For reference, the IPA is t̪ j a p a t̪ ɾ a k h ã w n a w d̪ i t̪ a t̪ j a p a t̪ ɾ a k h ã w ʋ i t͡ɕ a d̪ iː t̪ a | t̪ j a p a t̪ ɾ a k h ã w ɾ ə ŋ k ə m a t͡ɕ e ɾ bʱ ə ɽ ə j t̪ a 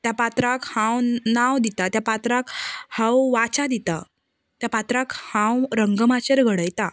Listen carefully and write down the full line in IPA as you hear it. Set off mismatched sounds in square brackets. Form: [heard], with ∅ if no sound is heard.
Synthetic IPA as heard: t̪ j a p a t̪ ɾ a k h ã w n a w d̪ i t̪ a t̪ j a p a t̪ ɾ a k h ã w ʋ [a] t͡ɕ a d̪ [i] t̪ a | t̪ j a p a t̪ ɾ a k h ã w ɾ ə ŋ [ɡ] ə m a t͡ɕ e ɾ [ɡʱ] ə ɽ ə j t̪ a